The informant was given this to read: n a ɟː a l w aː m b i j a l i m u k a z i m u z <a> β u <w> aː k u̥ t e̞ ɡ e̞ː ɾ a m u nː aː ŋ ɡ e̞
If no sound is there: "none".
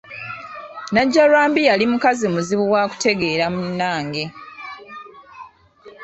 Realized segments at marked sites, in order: i, w

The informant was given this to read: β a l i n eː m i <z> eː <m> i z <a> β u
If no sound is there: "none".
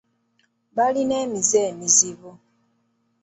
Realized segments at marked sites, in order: z, m, i

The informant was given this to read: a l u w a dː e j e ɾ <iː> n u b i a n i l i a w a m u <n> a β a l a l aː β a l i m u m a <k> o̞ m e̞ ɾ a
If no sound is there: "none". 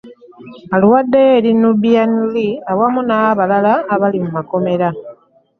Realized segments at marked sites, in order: i, n, k

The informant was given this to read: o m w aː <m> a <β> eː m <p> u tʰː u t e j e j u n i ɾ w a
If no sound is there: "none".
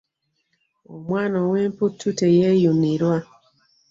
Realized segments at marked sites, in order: n, w, p

